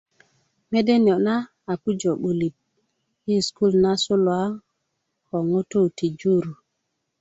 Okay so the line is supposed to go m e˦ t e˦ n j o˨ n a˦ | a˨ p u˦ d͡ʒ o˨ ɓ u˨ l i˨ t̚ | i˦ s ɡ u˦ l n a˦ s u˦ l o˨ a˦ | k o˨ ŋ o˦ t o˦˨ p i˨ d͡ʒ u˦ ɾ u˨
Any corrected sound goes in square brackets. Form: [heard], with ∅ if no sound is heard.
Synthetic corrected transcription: m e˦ [d] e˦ n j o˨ n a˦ | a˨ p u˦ d͡ʒ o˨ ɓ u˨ l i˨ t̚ | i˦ s [k] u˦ l n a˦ s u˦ l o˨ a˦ | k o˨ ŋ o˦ t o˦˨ [t] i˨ d͡ʒ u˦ ɾ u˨